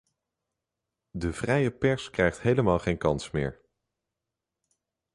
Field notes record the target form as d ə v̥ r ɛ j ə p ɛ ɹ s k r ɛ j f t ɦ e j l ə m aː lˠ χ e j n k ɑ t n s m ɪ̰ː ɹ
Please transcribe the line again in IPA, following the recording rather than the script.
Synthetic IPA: d ə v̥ r ɛ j ə p ɛ ɹ s k r ɛ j χ t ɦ e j l ə m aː lˠ χ e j n k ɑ n s m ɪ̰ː ɹ